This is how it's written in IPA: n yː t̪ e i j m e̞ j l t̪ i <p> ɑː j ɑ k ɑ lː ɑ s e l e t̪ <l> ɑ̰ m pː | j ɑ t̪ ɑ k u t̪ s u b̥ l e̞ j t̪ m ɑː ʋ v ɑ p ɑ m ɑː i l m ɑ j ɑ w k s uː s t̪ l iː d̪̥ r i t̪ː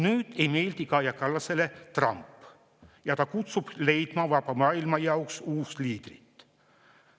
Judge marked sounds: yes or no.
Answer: no, no

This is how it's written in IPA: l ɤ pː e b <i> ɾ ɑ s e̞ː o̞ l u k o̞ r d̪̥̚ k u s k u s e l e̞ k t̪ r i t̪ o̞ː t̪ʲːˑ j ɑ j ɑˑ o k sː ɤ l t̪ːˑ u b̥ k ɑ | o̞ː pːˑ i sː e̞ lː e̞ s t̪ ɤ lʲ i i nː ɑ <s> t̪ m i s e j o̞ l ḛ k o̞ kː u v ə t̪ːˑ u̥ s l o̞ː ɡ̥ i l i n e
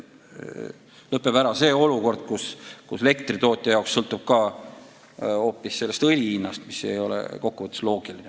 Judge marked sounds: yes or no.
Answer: no, yes

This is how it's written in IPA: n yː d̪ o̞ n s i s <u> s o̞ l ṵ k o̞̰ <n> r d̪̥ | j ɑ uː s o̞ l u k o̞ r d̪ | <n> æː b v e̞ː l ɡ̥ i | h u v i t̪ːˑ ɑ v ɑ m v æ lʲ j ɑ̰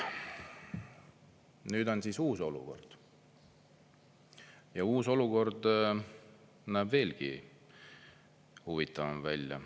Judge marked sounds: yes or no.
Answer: no, no, yes

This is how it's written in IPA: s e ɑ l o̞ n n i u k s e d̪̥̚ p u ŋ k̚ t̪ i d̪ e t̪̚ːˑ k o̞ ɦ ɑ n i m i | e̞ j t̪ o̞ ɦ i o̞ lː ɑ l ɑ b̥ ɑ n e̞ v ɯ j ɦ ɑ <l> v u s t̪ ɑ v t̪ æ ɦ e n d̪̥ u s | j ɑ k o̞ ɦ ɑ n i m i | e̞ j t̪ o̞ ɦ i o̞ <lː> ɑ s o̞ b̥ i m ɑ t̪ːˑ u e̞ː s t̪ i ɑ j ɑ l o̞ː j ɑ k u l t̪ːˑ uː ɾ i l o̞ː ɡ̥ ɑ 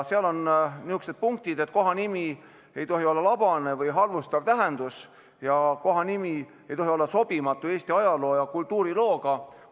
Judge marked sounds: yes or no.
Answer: no, yes

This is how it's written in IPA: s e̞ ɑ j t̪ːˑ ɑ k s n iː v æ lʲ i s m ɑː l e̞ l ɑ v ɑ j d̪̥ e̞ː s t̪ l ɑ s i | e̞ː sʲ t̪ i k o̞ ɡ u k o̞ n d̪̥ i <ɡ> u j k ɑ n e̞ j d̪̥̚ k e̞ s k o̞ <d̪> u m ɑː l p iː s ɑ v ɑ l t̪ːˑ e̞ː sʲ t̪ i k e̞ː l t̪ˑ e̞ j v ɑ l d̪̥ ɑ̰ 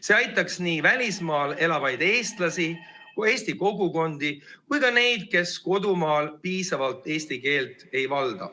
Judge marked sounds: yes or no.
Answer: no, yes

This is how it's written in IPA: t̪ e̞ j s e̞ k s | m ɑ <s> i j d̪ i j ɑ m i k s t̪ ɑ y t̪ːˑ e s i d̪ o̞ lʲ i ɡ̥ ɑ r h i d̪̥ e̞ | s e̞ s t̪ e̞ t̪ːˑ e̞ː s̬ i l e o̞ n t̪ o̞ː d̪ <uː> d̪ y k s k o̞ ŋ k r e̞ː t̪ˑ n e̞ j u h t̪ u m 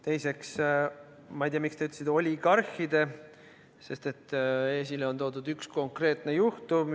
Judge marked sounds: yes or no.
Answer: no, no

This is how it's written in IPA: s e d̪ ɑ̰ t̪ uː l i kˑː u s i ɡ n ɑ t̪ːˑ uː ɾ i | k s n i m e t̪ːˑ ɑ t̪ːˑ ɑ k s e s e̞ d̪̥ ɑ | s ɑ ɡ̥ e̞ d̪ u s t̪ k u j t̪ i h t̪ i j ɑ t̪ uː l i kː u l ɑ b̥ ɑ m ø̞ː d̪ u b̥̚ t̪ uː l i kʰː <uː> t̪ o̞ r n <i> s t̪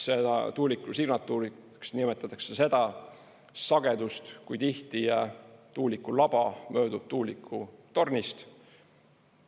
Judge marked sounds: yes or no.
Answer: no, yes

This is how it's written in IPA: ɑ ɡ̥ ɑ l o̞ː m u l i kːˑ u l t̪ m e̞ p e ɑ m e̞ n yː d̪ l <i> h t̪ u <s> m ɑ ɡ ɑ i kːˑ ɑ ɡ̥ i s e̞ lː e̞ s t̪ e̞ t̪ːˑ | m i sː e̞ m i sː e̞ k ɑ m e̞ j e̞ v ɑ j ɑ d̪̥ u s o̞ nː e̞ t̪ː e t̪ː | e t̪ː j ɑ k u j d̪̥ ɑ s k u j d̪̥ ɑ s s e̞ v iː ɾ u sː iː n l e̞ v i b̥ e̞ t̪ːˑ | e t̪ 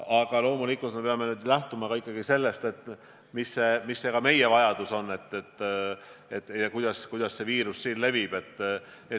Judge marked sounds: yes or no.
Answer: no, no

